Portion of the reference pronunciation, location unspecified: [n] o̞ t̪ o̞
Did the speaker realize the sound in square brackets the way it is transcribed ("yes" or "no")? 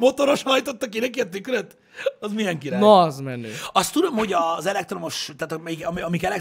no